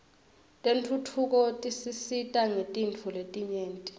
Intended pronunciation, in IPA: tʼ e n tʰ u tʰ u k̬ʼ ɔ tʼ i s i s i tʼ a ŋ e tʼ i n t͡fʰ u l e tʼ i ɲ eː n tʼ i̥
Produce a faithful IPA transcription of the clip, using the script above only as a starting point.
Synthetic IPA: tʼ e n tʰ u tʰ u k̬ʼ ɔ tʼ i s i s i tʼ a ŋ e tʼ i n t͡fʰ u l e tʼ i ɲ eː n tʼ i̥

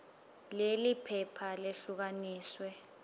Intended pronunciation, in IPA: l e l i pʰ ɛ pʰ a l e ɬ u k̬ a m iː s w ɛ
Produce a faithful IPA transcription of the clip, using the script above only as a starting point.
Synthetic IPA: l e l i pʰ ɛ pʰ a l e ɬ u k̬ a n iː s w ɛ

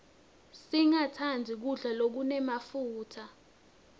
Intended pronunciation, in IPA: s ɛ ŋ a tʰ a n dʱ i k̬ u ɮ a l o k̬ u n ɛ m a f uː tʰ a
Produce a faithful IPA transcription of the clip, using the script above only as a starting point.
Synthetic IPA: s i ŋ a tʰ a n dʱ i k̬ u ɮ a l o k̬ u n ɛ m a f uː tʰ a

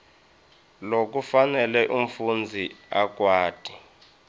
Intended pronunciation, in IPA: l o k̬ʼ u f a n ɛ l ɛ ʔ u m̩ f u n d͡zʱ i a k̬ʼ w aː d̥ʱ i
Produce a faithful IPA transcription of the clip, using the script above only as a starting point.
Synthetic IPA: l o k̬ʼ u f a n ɛ l ɛ ʔ u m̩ f u n d͡zʱ i a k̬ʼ w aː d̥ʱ i

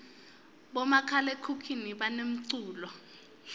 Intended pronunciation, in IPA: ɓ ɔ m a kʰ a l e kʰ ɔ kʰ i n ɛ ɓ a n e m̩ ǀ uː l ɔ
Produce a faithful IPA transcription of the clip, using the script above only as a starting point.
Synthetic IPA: ɓ ɔ m a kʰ a l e kʰ u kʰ i n i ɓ a n e m̩ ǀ uː l ɔ

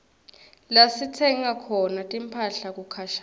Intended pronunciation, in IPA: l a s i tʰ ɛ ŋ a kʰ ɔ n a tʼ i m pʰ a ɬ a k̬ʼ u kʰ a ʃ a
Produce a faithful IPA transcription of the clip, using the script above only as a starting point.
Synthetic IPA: l a s i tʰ ɛ ŋ a kʰ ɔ n a tʼ i m pʰ a ɬ a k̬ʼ u kʰ a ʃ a

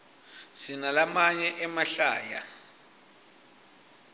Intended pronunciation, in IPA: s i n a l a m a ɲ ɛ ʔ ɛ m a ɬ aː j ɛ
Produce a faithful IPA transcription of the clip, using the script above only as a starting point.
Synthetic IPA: s i n a l a m a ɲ ɛ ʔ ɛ m a ɬ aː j a

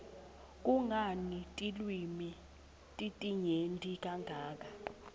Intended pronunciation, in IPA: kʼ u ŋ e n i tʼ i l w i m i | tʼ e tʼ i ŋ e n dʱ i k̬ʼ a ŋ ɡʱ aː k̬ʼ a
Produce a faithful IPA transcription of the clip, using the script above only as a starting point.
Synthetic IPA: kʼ u ŋ a n i tʼ i l w i m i | tʼ i tʼ i ɲ e n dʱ i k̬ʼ a ŋ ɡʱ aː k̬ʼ a

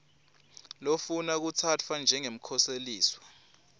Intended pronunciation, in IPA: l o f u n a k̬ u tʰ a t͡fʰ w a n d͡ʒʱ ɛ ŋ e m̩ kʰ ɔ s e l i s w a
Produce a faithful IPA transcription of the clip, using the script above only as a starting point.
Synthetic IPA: l o f u n a k̬ u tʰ a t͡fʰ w a n d͡ʒʱ ɛ ŋ e m̩ kʰ ɔ s e l iː s w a

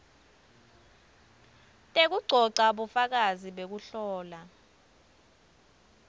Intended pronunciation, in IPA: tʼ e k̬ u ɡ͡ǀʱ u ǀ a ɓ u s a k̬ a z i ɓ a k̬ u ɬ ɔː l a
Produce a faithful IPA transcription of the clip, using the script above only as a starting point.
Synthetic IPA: tʼ e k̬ u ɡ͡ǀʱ ɔ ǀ a ɓ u f a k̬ a z i ɓ e k̬ u ɬ ɔː l a

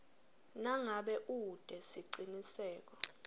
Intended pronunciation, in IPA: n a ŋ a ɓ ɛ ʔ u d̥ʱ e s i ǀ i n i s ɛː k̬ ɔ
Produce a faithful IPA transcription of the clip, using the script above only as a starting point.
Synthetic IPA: n a ŋ a ɓ ɛ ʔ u d̥ʱ ɛ s i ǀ i n i s ɛː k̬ ɔ

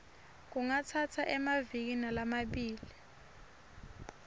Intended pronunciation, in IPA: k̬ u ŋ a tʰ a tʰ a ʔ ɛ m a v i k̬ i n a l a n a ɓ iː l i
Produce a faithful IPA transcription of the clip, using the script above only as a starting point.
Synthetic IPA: k̬ u ŋ a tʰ a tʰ a ʔ ɛ m a v i k̬ i n a l a m a ɓ iː l i

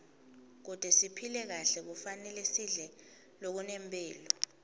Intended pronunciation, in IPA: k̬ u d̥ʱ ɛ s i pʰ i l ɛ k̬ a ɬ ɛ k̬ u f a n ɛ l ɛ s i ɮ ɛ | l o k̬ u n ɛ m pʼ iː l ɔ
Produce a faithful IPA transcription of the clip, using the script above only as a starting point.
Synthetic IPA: k̬ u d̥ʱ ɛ s i pʰ i l ɛ k̬ a ɬ ɛ k̬ u f a n ɛ l ɛ s i ɮ ɛ | l o k̬ u n ɛ m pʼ ɛː l ɔ

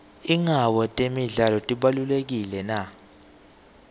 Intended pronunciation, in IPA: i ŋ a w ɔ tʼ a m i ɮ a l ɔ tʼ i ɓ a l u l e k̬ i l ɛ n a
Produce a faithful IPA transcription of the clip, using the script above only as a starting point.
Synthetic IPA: i ŋ a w ɔ tʼ e m i ɮ a l ɔ tʼ i ɓ a l u l e k̬ i l ɛ n a

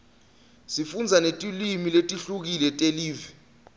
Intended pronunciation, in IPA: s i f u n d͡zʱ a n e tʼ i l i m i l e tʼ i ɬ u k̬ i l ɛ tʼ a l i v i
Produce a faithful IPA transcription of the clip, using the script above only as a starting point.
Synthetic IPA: s i f u n d͡zʱ a n e tʼ i l i m i l e tʼ i ɬ u k̬ i l ɛ tʼ e l iː v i

